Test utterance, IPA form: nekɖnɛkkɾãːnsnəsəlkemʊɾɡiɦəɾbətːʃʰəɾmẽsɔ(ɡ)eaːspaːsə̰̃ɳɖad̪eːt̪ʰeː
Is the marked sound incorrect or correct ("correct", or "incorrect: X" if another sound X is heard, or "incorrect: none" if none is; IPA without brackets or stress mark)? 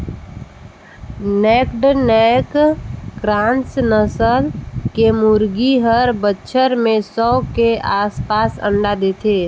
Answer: incorrect: k